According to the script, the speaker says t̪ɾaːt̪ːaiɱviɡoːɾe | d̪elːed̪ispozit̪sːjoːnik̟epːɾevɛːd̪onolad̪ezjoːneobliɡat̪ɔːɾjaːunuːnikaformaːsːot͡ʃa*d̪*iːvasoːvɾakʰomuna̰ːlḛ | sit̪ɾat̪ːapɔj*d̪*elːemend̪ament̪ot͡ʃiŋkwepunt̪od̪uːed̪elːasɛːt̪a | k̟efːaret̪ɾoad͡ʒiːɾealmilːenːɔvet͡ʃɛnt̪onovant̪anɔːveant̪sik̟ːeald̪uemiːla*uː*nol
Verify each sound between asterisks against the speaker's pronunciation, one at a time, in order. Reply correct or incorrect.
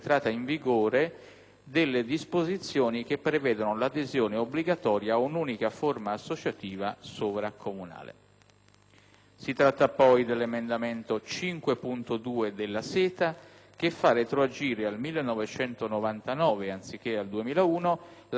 incorrect, correct, correct

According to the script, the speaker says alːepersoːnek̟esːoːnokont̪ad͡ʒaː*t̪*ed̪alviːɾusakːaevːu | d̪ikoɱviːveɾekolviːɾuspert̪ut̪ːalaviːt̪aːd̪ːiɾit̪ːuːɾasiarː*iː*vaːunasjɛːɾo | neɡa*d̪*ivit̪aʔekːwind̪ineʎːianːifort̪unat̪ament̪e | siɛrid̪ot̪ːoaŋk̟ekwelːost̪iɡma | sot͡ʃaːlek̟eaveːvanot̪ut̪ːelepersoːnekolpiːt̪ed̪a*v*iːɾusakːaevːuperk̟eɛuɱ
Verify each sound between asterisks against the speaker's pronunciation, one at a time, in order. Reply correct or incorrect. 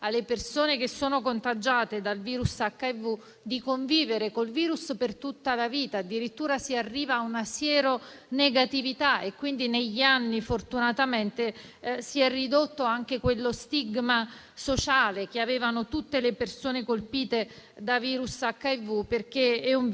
correct, correct, incorrect, correct

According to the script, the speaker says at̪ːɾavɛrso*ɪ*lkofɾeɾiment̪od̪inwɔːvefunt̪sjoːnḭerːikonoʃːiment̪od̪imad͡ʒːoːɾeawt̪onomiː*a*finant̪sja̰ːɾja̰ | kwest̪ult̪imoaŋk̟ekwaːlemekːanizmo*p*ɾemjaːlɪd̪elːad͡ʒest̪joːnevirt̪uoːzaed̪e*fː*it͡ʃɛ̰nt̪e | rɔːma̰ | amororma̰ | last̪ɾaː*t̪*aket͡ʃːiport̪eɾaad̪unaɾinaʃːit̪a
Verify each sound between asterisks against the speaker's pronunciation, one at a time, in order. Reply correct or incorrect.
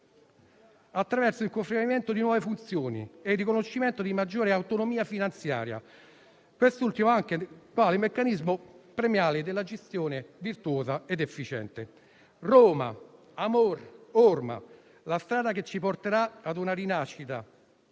incorrect, correct, correct, correct, incorrect

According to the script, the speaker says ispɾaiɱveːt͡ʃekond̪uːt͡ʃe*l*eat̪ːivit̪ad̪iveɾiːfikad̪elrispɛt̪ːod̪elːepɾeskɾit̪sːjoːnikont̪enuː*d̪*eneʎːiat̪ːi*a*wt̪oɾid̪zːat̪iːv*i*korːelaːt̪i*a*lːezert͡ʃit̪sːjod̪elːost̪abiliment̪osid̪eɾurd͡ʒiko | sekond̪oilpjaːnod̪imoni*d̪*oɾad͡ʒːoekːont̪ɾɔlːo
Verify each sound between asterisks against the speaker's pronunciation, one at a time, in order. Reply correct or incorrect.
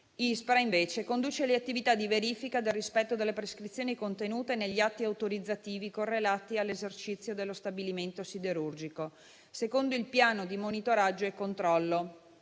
correct, incorrect, correct, correct, correct, incorrect

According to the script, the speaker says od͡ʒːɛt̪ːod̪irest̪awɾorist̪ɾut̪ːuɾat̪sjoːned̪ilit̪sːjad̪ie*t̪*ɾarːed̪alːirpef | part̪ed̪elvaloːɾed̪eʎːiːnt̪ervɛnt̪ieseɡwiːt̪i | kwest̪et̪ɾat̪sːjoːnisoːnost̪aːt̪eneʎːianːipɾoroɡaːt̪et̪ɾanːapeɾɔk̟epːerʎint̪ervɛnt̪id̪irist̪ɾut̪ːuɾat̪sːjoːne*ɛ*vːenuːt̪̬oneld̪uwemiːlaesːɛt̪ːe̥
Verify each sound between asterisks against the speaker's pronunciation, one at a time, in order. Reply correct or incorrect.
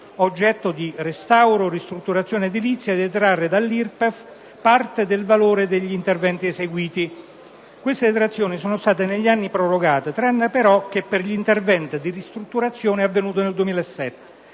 correct, incorrect

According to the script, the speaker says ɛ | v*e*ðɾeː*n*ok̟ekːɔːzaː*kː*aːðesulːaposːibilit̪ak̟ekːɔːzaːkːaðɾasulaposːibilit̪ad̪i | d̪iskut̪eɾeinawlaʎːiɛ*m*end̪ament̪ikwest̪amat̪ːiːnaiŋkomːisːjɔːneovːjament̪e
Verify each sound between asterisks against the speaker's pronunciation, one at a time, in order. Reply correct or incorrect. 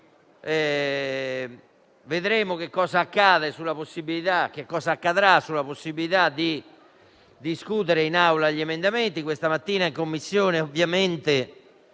correct, incorrect, correct, correct

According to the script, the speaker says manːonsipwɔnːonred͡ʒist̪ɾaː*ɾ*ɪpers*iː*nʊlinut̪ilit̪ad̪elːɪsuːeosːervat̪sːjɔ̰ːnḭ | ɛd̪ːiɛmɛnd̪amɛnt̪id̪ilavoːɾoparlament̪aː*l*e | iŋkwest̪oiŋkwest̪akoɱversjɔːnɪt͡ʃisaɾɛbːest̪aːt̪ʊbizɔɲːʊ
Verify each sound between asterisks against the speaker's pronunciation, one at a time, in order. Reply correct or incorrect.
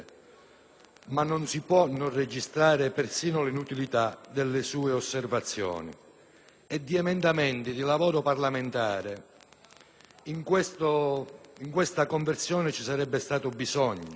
correct, correct, incorrect

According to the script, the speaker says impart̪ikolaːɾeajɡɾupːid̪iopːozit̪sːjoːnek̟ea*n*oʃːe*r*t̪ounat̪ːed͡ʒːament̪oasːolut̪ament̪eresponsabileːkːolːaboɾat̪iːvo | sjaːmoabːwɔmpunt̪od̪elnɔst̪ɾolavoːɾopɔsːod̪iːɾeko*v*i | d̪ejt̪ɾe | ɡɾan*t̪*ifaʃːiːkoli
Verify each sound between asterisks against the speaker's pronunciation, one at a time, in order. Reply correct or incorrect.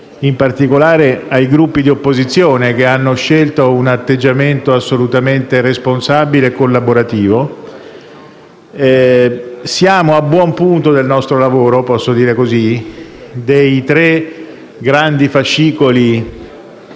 incorrect, incorrect, incorrect, incorrect

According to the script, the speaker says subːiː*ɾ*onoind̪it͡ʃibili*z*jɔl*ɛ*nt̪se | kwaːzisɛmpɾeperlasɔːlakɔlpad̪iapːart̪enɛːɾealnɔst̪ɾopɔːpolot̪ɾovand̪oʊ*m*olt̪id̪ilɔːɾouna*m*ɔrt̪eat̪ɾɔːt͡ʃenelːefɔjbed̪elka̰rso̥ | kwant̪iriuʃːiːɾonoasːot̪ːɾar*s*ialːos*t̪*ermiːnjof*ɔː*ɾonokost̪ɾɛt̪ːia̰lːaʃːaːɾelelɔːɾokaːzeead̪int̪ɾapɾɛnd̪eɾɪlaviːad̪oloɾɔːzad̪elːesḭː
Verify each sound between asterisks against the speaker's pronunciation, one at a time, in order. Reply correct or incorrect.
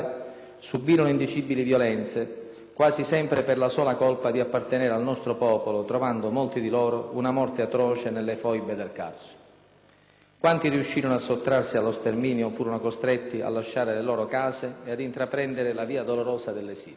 correct, incorrect, correct, correct, correct, correct, correct, incorrect

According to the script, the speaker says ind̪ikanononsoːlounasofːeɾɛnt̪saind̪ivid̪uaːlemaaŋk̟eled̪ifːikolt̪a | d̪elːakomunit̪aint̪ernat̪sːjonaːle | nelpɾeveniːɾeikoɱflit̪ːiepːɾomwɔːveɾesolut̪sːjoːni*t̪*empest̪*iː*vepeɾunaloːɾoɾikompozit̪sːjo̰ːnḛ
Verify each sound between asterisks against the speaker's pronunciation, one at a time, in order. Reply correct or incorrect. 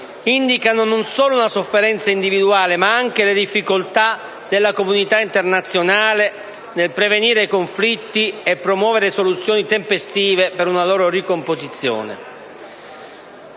correct, correct

